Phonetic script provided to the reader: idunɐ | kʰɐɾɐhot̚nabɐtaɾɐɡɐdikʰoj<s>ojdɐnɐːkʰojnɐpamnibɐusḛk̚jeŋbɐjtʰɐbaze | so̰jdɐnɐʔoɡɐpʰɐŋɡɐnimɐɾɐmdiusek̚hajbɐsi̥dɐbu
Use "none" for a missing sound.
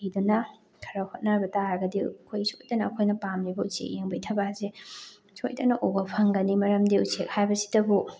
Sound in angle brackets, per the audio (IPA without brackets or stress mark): s